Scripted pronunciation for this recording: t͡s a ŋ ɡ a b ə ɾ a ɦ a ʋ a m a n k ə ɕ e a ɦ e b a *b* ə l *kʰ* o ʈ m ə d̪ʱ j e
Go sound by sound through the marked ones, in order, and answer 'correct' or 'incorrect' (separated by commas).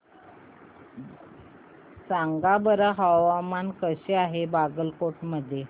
incorrect, incorrect